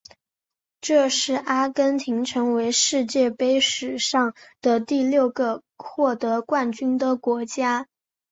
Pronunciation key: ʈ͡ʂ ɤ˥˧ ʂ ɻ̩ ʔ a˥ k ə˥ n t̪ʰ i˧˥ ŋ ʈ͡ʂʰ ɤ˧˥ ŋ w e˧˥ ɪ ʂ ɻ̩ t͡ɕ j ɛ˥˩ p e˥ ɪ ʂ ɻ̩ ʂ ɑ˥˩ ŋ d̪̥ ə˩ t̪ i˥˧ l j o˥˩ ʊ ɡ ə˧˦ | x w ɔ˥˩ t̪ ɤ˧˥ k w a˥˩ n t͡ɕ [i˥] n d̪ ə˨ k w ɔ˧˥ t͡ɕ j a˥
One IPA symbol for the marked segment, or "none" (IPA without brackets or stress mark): y˥